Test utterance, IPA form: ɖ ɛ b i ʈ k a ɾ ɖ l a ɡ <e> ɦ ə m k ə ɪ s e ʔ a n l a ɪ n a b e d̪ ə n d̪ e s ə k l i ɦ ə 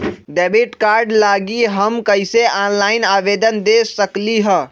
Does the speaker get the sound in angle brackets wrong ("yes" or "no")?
yes